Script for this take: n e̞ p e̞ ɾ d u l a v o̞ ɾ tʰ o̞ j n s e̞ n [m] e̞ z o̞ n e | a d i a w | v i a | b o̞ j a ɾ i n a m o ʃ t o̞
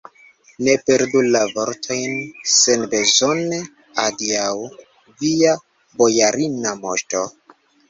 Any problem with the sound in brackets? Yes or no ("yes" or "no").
yes